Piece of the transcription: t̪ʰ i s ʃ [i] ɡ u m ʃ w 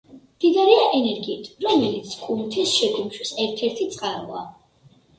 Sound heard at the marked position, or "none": ɛ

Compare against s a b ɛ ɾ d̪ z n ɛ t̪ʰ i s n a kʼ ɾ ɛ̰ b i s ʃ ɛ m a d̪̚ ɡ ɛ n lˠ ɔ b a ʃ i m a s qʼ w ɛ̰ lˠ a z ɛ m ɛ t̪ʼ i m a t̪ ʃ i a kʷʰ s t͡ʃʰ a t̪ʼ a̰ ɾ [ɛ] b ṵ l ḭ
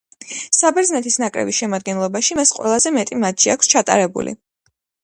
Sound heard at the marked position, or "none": ɛ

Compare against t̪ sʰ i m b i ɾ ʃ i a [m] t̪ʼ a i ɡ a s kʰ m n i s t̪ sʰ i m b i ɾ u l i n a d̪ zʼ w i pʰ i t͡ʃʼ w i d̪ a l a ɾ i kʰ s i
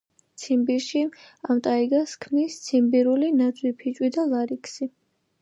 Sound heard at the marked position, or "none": m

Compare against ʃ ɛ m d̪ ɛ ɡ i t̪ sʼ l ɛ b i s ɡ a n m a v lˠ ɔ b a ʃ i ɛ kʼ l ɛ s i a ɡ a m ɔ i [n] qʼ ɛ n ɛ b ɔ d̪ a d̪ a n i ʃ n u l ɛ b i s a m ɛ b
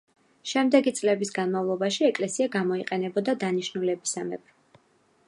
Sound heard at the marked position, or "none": none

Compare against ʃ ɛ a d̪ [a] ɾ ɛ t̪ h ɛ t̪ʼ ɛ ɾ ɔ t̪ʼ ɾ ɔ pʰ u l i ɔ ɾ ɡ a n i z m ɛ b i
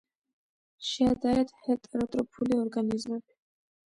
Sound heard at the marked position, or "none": a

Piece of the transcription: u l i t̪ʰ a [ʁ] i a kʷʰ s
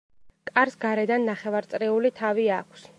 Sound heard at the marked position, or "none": v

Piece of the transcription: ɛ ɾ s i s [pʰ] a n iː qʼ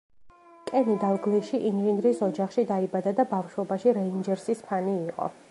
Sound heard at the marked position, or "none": pʰ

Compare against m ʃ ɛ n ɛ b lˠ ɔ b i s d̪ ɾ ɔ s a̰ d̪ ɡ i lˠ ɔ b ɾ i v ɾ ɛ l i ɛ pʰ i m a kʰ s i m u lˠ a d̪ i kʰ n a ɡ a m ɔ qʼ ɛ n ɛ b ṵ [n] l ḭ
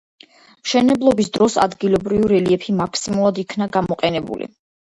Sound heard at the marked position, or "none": none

